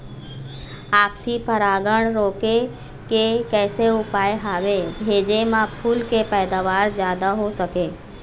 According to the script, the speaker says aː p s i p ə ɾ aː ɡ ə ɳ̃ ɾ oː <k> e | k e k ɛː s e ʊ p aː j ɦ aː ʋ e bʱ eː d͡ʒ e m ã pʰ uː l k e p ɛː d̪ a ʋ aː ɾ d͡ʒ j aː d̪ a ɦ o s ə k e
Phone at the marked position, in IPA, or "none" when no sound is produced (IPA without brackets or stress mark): k